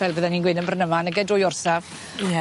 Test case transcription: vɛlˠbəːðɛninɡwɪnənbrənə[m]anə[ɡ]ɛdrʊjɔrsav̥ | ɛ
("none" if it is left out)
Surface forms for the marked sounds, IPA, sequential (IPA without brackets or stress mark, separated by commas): m, ɡ